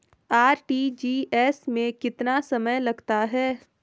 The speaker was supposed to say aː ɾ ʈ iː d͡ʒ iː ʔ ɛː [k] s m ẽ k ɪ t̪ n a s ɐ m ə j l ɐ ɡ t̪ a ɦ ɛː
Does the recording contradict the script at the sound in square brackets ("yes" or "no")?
yes